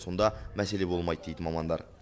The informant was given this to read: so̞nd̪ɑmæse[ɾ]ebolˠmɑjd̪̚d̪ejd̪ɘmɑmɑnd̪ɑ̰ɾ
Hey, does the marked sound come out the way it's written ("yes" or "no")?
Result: no